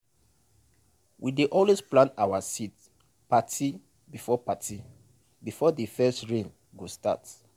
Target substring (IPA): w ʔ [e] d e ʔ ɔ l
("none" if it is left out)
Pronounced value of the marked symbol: i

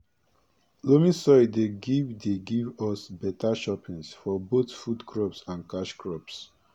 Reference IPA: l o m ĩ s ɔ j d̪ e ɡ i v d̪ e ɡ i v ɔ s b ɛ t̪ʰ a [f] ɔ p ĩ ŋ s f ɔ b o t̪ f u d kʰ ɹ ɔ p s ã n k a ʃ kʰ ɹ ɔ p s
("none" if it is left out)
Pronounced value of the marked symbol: ʃ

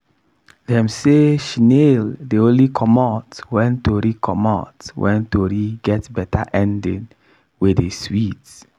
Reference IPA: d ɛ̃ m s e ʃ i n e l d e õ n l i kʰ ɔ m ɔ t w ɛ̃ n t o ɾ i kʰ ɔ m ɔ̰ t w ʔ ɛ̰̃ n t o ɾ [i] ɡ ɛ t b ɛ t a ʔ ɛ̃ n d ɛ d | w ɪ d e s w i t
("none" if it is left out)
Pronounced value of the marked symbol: i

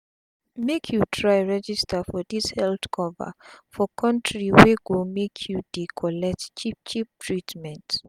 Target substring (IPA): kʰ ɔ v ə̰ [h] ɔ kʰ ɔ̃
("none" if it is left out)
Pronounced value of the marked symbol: f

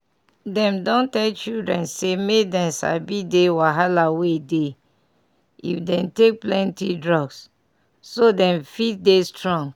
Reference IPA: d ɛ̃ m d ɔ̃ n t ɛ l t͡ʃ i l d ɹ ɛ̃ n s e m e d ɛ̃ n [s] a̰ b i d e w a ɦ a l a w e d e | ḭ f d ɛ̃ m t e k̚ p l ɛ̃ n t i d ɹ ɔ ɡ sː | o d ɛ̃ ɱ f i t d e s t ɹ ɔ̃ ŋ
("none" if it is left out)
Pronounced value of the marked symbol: s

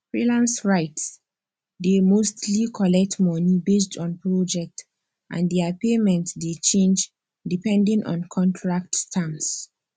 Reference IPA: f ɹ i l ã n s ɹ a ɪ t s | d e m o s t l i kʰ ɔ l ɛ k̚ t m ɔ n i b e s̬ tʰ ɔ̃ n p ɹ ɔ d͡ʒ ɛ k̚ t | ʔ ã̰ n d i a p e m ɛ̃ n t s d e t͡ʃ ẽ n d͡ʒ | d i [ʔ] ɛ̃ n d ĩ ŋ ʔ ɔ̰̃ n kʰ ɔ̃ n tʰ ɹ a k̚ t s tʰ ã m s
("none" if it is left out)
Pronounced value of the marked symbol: p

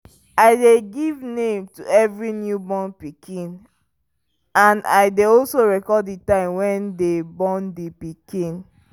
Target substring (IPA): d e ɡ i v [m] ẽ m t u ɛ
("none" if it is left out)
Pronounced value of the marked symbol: n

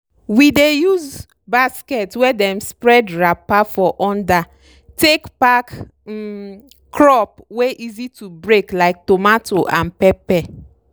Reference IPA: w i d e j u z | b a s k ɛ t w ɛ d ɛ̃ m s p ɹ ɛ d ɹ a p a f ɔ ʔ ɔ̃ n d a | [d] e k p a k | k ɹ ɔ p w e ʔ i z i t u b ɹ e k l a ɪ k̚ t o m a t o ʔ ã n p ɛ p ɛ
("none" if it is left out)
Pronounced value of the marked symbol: t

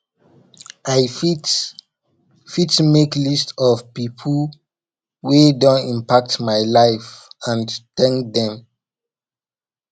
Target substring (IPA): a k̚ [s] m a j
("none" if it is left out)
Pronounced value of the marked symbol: t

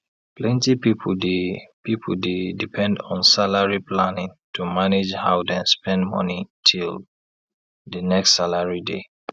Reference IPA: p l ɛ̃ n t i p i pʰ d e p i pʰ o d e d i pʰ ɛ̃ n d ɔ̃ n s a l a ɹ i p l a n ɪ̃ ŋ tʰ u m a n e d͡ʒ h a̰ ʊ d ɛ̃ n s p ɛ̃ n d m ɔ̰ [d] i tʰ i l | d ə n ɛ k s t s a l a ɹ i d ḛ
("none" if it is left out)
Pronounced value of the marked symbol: n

